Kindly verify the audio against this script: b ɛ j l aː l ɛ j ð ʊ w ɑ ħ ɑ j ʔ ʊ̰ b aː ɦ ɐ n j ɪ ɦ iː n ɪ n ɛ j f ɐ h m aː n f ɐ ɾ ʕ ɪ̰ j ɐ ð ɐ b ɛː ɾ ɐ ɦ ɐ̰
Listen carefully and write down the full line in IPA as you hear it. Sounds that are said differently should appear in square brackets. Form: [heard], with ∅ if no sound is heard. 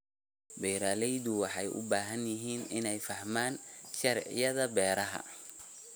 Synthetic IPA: b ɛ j [ɾ] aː l ɛ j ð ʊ w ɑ ħ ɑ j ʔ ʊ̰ b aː ɦ ɐ n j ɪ ɦ iː n ɪ n ɛ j f ɐ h m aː n [ʃ] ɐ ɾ ʕ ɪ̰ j ɐ ð ɐ b ɛː ɾ ɐ ɦ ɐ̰